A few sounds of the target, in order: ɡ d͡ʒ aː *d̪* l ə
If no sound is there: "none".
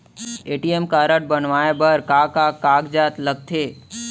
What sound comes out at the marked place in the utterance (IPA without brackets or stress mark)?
t̪